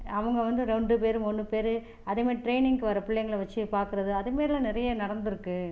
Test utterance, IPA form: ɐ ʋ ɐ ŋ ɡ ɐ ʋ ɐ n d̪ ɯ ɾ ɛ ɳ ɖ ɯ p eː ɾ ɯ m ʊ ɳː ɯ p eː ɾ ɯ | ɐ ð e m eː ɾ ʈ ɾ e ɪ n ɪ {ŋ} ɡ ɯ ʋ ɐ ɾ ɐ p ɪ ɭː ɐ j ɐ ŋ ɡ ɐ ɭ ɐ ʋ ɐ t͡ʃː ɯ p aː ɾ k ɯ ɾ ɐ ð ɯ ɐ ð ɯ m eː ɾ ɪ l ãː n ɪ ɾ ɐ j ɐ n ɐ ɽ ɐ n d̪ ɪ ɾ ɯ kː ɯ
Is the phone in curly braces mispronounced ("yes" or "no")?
no